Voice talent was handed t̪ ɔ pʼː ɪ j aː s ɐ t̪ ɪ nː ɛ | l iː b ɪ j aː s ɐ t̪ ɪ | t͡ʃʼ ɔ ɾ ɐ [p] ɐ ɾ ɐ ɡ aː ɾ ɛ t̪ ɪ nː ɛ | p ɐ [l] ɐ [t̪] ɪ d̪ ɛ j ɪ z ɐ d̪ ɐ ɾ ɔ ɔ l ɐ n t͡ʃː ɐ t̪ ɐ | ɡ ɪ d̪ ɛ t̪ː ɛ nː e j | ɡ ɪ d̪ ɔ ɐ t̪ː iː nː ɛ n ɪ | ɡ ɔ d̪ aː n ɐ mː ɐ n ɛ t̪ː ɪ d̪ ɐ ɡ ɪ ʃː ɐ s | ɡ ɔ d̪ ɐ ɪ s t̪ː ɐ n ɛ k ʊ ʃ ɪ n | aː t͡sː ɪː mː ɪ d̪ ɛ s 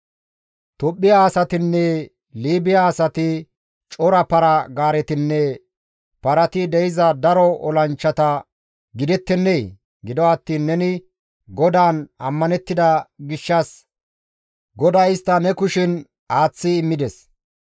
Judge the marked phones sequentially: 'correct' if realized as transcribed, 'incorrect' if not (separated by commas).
correct, incorrect, correct